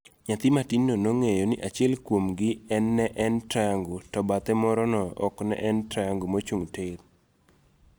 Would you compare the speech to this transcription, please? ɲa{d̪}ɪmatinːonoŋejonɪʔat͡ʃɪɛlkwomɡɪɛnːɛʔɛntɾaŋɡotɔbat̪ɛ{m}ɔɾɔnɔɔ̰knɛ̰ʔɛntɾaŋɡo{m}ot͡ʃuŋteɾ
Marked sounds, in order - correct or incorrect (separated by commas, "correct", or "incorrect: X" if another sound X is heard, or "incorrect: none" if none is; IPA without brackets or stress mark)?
incorrect: t̪, correct, correct